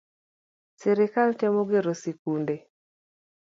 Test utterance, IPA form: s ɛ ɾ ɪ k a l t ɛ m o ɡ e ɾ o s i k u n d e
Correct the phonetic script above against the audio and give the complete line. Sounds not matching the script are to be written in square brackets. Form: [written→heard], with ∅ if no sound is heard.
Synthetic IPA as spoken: s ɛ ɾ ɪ k a l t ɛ m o ɡ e ɾ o s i k u n d e